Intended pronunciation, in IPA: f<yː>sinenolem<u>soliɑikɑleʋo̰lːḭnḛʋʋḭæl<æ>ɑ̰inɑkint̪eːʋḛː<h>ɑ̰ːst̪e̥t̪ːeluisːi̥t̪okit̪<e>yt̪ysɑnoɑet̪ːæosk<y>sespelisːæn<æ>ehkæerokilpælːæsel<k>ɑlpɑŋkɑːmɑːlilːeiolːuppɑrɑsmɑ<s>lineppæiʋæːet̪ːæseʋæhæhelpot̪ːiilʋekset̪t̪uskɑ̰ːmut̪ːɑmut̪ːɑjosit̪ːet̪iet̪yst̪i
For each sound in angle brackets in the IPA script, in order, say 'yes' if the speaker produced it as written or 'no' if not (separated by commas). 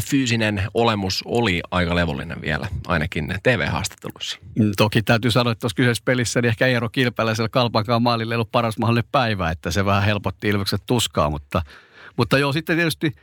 yes, yes, yes, yes, no, yes, no, yes, no